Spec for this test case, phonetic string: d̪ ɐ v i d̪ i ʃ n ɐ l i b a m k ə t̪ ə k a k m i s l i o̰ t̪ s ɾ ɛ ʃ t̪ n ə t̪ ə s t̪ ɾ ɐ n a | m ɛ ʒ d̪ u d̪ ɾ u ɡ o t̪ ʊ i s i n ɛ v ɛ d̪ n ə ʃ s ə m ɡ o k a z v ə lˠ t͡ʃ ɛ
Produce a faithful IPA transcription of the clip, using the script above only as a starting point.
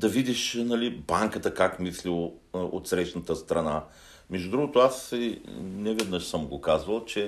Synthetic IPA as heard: d̪ ɐ v i d̪ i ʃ n ɐ l i b a ŋ k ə t̪ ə k a k m i s l i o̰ t̪ s ɾ ɛ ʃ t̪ n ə t̪ ə s t̪ ɾ ɐ n a | m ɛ ʒ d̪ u d̪ ɾ u ɡ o t̪ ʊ a s i n ɛ v ɛ d̪ n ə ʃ s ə m ɡ o k a z v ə lˠ t͡ʃ ɛ